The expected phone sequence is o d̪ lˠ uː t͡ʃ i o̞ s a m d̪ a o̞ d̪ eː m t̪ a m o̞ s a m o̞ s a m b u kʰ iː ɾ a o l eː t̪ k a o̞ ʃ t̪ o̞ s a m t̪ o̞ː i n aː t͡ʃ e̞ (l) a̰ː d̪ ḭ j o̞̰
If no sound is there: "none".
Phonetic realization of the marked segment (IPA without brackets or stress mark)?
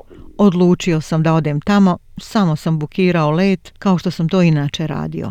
ɾ